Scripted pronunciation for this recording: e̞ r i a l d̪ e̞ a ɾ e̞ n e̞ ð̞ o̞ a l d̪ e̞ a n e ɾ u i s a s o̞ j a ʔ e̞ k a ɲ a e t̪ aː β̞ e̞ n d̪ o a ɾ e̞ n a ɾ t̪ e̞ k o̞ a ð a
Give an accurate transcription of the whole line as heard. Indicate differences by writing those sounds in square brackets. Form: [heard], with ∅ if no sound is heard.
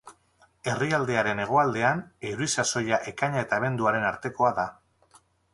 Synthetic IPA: e̞ r i a l d̪ e̞ a ɾ e̞ n e̞ [ɣ̞] o̞ a l d̪ e̞ a n e ɾ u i s a s o̞ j a ʔ e̞ k a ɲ a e t̪ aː β̞ e̞ n d̪ [u] a ɾ e̞ n a ɾ t̪ e̞ k o̞ a ð a